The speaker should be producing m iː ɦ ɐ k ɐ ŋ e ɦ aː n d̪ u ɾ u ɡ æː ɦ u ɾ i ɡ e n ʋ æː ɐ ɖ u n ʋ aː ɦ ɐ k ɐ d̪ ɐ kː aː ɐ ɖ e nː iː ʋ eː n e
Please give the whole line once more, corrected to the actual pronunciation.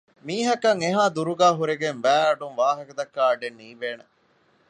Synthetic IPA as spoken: m iː ɦ ɐ k ɐ ŋ e ɦ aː d̪ u ɾ u ɡ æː ɦ u ɾ e ɡ e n ʋ æː ɐ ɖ u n ʋ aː ɦ ɐ k ɐ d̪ ɐ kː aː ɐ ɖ e nː iː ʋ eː n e